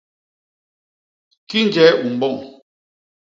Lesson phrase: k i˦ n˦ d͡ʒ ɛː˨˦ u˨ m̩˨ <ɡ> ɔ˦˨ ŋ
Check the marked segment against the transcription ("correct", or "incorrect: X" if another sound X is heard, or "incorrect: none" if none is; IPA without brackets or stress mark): incorrect: b